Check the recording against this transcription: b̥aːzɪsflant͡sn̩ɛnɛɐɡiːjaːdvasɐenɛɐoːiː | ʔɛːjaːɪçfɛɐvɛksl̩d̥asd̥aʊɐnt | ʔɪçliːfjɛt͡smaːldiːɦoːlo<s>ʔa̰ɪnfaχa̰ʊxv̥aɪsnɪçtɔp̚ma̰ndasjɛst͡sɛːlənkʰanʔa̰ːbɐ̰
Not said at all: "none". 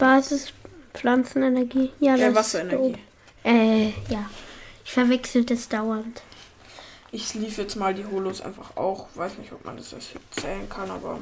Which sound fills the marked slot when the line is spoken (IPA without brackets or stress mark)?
s